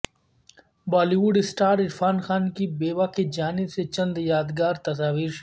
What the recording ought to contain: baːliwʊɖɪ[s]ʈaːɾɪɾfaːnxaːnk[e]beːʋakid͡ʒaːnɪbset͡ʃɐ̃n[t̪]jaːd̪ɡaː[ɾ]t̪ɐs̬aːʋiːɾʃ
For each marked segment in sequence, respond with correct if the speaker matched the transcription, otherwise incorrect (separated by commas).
correct, incorrect, incorrect, correct